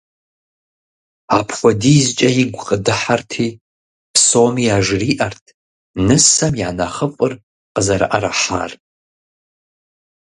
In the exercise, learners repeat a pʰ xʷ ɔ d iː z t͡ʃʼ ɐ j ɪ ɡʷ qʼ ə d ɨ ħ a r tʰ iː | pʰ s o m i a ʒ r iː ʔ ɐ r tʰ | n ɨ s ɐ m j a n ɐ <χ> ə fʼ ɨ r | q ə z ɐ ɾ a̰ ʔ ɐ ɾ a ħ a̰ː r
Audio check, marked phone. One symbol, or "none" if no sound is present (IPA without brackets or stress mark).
χ